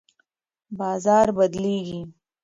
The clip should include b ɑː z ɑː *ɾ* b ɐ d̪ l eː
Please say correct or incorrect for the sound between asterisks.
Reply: correct